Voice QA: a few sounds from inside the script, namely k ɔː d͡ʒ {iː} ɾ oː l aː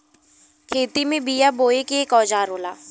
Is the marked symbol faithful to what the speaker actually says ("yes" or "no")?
no